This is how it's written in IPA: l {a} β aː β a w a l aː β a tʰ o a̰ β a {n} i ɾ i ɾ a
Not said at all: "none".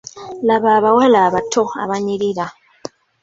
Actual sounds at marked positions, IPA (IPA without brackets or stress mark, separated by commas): a, ɲ